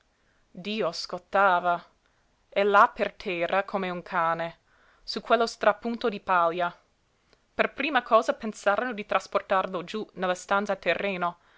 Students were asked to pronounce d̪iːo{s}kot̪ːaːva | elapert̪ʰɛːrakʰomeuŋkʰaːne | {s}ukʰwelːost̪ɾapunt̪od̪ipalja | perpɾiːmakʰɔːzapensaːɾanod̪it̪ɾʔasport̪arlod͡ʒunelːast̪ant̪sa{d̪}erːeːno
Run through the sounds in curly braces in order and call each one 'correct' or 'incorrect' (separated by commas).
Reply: correct, correct, incorrect